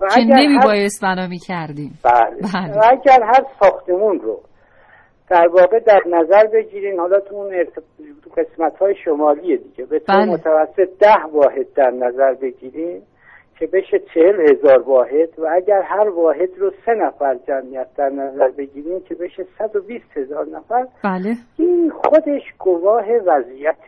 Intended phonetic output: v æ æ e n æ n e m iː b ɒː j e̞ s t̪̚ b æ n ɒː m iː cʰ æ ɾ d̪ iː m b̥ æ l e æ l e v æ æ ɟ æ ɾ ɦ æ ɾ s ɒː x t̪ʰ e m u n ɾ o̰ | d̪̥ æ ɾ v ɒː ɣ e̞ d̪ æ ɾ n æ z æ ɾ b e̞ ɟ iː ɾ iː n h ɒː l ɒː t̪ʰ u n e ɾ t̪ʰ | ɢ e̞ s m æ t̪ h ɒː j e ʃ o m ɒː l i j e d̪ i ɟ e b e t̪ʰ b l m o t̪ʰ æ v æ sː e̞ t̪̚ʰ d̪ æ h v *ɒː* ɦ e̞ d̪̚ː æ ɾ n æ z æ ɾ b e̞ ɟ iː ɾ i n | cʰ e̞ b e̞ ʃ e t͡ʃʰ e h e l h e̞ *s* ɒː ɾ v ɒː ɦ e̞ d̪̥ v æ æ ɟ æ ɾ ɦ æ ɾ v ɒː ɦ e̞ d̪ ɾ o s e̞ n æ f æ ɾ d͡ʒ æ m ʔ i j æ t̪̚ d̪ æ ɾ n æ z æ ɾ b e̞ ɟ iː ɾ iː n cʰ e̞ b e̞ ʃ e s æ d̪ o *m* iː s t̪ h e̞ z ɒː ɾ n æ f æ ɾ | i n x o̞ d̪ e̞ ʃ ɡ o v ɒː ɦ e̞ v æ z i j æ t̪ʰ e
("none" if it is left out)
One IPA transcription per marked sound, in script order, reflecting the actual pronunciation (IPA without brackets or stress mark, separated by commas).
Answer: ɒː, z, b